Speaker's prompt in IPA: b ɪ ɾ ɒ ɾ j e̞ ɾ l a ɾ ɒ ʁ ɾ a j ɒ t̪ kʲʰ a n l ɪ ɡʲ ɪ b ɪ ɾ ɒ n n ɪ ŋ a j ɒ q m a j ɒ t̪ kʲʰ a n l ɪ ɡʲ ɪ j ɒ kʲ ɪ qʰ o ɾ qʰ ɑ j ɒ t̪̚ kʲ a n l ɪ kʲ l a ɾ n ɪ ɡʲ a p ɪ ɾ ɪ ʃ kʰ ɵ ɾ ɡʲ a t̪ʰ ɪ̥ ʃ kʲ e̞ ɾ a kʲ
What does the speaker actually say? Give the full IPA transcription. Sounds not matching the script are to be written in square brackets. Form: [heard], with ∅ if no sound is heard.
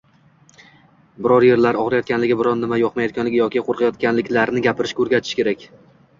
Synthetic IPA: b ɪ ɾ ɒ ɾ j e̞ ɾ l a ɾ ɒ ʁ ɾ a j ɒ t̪ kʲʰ a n l ɪ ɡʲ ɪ b ɪ ɾ ɒ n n ɪ [m] a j ɒ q m a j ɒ t̪ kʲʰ a n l ɪ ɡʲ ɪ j ɒ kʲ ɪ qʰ o ɾ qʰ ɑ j ɒ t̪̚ kʲ a n l ɪ kʲ l a ɾ n ɪ ɡʲ a p ɪ ɾ ɪ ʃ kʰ ɵ ɾ ɡʲ a t̪ʰ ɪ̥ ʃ kʲ e̞ ɾ a kʲ